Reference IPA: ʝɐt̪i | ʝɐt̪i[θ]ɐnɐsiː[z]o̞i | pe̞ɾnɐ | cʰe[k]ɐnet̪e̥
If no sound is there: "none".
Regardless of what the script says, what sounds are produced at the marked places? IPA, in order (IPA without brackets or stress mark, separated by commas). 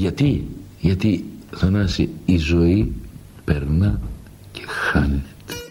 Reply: θ, z, x